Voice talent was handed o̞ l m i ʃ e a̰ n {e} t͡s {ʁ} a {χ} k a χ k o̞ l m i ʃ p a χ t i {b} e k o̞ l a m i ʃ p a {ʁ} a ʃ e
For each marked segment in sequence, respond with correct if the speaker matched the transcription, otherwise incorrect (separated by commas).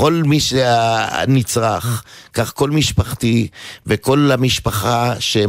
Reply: incorrect, correct, correct, incorrect, incorrect